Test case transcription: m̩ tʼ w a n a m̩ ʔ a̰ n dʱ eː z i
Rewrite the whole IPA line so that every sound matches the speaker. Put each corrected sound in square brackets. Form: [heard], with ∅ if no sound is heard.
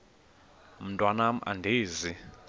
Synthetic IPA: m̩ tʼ w a n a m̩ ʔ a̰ n dʱ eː z i

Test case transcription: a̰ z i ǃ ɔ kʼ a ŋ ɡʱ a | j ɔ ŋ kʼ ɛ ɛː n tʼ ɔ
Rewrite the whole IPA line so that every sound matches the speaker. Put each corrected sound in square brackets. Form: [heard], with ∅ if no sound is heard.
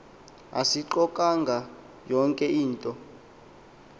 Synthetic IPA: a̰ [s] i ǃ ɔ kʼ a ŋ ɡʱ a | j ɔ ŋ kʼ ɛ [iː] n tʼ ɔ

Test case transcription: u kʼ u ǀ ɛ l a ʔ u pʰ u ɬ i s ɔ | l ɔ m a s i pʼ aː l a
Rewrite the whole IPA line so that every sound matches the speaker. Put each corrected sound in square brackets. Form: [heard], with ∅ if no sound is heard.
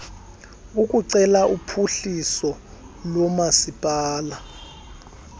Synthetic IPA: u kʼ u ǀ ɛ l a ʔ u pʰ u ɬ i s ɔ | l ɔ m a s i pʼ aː l a

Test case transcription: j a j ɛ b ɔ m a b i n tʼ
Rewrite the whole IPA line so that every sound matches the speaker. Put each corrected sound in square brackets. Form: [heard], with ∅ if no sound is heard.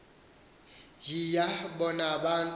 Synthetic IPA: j [i] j [a] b ɔ [n] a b [a] n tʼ

